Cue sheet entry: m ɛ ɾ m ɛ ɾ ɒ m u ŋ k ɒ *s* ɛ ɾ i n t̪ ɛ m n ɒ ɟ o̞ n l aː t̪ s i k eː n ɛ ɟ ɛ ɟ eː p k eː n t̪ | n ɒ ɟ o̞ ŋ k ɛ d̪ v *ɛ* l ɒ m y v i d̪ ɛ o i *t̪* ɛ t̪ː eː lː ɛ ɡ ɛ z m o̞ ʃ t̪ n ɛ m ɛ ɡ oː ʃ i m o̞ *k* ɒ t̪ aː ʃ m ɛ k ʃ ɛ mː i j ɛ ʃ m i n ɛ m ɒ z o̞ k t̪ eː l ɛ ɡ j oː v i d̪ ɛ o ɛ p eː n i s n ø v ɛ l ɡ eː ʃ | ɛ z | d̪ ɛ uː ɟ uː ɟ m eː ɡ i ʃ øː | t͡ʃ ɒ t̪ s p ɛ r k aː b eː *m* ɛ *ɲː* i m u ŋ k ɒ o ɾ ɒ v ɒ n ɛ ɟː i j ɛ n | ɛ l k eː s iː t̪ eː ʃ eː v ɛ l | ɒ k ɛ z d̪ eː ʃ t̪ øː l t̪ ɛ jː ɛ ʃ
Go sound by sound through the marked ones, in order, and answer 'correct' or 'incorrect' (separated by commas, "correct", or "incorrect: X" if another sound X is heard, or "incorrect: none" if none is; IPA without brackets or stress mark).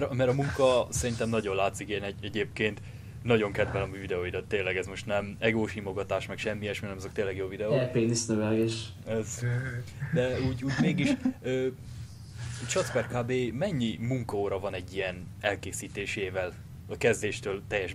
correct, correct, incorrect: d̪, incorrect: ɡ, correct, correct